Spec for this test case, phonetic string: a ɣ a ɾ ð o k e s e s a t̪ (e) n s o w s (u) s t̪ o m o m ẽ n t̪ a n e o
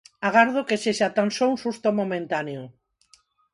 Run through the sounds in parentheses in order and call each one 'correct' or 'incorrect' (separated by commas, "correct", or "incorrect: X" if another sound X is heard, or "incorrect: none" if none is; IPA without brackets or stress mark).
incorrect: a, correct